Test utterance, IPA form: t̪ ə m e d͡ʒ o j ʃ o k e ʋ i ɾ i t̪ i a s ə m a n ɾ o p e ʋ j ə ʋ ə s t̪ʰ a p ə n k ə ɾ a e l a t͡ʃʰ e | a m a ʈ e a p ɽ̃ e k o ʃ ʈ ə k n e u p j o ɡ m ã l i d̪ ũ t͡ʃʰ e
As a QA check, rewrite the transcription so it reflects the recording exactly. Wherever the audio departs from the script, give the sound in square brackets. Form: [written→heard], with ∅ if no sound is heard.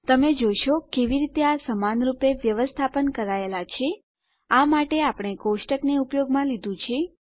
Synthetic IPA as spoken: t̪ ə m e d͡ʒ o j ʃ o k e ʋ i ɾ i t̪ [i→e] a s ə m a n ɾ [o→u] p e ʋ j ə ʋ ə s t̪ʰ a p ə n k ə ɾ a e l a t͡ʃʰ e | a m a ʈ e a p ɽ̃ e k o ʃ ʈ ə k n e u p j o ɡ m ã l i d̪ ũ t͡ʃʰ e